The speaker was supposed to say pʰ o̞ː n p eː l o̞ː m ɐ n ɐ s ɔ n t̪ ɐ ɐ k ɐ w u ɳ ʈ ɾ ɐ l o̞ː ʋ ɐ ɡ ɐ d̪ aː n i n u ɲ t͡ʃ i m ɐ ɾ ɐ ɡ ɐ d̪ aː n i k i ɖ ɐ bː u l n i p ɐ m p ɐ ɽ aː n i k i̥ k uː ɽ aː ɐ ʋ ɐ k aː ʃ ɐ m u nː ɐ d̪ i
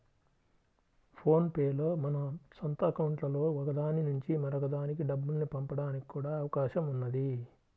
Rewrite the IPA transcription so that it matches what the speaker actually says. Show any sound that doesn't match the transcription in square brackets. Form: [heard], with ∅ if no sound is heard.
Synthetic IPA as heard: pʰ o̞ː n p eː l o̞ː m ɐ n ɐ s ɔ n t̪ ɐ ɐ k ɐ w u ɳ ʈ [l] ɐ l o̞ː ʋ ɐ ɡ ɐ d̪ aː n i n u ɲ t͡ʃ i m ɐ ɾ ɐ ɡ ɐ d̪ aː n i k i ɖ ɐ bː u l n i p ɐ m p ɐ ɽ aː n i k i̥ k uː ɽ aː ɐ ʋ ɐ k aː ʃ ɐ m u nː ɐ d̪ i